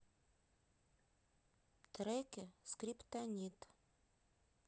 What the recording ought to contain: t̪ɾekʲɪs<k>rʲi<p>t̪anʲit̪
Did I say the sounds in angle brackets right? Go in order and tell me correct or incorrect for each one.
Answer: correct, correct

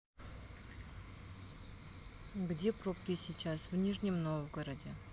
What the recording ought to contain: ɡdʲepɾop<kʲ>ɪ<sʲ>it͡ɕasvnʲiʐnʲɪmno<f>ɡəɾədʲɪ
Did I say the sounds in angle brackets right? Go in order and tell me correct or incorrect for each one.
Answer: correct, correct, incorrect: v

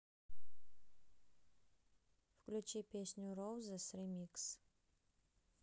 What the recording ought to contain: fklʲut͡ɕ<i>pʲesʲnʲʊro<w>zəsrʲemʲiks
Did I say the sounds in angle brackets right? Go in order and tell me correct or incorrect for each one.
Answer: correct, correct

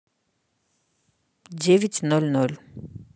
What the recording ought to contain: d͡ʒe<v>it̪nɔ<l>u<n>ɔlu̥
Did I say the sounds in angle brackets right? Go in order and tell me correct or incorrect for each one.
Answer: correct, correct, correct

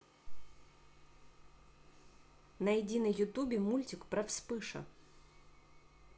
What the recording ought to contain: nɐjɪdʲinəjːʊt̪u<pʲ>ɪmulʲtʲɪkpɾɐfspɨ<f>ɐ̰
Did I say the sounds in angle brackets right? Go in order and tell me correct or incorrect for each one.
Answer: incorrect: bʲ, incorrect: ʂ

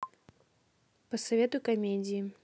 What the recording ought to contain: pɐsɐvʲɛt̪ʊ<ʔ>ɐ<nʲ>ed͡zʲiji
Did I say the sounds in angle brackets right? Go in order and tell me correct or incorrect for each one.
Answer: incorrect: k, incorrect: mʲ

